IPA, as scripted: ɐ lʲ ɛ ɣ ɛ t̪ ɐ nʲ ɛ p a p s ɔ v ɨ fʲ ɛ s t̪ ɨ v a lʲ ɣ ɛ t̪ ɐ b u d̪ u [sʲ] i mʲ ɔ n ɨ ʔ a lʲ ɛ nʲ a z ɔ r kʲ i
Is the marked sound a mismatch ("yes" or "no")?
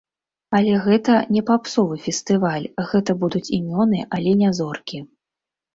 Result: yes